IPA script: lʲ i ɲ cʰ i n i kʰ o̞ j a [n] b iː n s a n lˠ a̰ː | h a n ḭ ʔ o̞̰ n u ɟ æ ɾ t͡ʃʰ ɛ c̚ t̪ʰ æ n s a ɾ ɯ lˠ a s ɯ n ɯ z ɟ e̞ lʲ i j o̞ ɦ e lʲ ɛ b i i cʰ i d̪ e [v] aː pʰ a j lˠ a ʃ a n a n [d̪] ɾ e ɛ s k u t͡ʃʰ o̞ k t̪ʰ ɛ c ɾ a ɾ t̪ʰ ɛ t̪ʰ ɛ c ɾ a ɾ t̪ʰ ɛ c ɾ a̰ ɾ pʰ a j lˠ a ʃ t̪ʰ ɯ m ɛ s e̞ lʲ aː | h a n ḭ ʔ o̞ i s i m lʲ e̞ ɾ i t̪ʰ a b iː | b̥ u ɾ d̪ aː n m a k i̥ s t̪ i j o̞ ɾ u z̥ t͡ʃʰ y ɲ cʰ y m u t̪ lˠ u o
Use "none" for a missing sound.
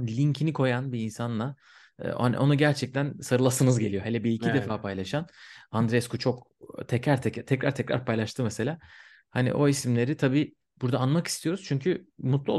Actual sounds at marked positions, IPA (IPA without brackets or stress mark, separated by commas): n, f, d̪